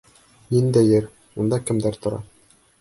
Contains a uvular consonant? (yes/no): no